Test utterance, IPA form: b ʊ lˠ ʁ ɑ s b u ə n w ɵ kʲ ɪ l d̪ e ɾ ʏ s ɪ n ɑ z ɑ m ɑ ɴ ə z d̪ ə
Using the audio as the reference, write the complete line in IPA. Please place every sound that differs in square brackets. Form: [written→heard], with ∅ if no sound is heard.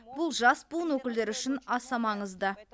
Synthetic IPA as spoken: b ʊ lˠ [ʁ→ʒ] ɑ s b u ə n w ɵ kʲ ɪ l d̪ e ɾ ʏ [s→ʃ] ɪ n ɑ [z→s] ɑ m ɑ ɴ ə z d̪ ə

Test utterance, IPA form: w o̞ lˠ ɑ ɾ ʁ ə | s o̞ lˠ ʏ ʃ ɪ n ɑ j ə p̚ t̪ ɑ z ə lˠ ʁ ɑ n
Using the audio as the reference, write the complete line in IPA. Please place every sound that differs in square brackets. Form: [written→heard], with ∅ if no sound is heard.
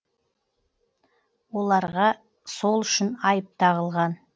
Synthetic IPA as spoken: w o̞ lˠ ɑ ɾ ʁ [ə→ɑ] | s o̞ lˠ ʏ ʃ ɪ n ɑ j ə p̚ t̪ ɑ [z→ʁ] ə lˠ ʁ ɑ n

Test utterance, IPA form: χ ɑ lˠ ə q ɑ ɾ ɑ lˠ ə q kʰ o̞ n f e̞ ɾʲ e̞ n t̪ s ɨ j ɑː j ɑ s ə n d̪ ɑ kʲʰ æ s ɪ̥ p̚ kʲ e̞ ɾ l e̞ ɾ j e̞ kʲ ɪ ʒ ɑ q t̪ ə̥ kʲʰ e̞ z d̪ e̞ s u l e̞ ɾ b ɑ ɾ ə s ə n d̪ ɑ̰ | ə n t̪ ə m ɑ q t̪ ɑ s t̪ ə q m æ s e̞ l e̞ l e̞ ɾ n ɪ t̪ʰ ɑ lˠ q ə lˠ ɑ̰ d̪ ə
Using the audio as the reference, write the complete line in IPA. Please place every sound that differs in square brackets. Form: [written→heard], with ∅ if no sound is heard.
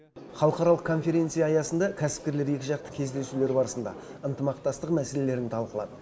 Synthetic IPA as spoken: χ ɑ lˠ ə q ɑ ɾ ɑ lˠ ə q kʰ o̞ n f e̞ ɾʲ e̞ n t̪ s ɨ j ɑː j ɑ s ə n d̪ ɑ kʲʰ æ s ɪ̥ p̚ kʲ e̞ ɾ l e̞ ɾ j e̞ kʲ ɪ ʒ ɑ q t̪ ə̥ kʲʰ e̞ z d̪ e̞ s u l e̞ ɾ b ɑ ɾ ə s ə n d̪ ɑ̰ | ə n t̪ ə m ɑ q t̪ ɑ s t̪ ə q m æ s e̞ l e̞ l e̞ ɾ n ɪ t̪ʰ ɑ lˠ q ə lˠ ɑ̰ d̪ ə

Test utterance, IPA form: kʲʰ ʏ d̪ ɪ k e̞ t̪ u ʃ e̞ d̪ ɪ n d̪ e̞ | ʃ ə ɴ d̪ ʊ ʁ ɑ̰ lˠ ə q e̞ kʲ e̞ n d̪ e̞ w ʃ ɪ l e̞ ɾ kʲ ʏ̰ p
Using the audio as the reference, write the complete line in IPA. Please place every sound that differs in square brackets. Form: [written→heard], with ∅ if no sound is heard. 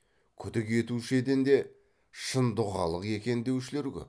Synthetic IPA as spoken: kʲʰ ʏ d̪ ɪ k e̞ t̪ u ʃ e̞ d̪ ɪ n d̪ e̞ | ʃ ə [ɴ→n] d̪ ʊ ʁ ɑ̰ lˠ ə q e̞ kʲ e̞ n d̪ e̞ w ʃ ɪ l e̞ ɾ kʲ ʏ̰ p

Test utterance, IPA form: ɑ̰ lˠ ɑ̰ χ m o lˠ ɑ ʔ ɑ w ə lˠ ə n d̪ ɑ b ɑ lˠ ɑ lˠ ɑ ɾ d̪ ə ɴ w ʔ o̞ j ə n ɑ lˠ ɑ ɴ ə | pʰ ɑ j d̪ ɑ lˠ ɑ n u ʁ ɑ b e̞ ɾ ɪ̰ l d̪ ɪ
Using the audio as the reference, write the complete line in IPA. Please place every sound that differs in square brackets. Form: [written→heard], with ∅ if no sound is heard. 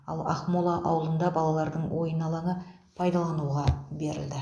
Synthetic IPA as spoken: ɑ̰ lˠ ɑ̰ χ m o lˠ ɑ ʔ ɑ w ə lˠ ə n d̪ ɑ b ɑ lˠ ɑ lˠ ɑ ɾ d̪ ə ɴ w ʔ o̞ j ə n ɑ lˠ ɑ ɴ ə | pʰ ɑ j d̪ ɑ lˠ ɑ n u ʁ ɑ b e̞ ɾ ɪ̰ l d̪ ɪ

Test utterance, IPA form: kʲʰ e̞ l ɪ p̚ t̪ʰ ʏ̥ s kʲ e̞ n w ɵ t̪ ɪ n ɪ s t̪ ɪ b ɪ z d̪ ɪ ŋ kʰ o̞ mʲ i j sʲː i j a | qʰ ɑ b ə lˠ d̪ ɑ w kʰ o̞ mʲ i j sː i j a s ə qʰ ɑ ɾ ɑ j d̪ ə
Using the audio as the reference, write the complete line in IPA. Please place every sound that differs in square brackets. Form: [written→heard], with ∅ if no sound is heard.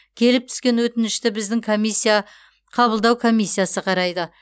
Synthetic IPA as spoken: kʲʰ e̞ l ɪ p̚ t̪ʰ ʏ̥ s kʲ e̞ n w ɵ t̪ ɪ n ɪ [s→ʃ] t̪ ɪ b ɪ z d̪ ɪ ŋ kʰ o̞ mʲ i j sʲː i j a | qʰ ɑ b ə lˠ d̪ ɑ w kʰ o̞ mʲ i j sː i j a s ə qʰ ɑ ɾ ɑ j d̪ ə

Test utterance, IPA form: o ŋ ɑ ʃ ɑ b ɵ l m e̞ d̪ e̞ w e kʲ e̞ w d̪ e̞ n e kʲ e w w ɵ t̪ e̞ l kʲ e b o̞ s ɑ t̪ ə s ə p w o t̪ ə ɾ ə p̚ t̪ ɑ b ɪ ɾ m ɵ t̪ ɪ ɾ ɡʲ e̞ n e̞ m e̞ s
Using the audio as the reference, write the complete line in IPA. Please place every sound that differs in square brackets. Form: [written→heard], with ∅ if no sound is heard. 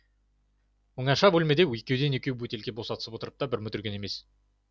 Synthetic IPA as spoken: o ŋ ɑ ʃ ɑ b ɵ l m e̞ d̪ e̞ w e kʲ e̞ w d̪ e̞ n e kʲ e w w ɵ t̪ e̞ l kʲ e b o̞ s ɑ t̪ ə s ə p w o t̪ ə ɾ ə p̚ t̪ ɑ b ɪ ɾ m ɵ t̪ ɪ ɾ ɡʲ e̞ n e̞ m e̞ s

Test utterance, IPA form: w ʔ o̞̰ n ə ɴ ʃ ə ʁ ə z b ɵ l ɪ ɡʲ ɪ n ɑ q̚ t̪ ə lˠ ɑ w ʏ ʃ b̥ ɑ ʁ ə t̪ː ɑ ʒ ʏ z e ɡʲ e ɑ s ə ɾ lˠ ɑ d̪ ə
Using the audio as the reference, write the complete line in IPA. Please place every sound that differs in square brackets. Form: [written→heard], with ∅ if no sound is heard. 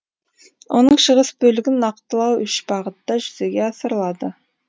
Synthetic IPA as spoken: w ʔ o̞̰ n ə ɴ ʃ ə ʁ ə [z→s] b ɵ l ɪ ɡʲ ɪ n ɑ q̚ t̪ ə lˠ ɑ w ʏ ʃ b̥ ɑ ʁ ə t̪ː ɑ ʒ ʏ z e ɡʲ e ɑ s ə ɾ lˠ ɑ d̪ ə

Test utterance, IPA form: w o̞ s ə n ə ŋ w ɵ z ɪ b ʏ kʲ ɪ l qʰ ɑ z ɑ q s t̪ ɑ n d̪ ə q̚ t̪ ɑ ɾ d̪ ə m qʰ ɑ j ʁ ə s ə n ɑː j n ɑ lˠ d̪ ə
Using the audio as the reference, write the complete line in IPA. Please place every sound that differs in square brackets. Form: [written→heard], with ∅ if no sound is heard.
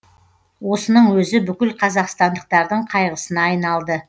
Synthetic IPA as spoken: w o̞ s ə n ə [ŋ→ɴ] w ɵ z ɪ b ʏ kʲ ɪ l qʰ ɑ z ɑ q s t̪ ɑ n d̪ ə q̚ t̪ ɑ ɾ d̪ ə [m→ɴ] qʰ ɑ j ʁ ə s ə n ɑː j n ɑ lˠ d̪ ə

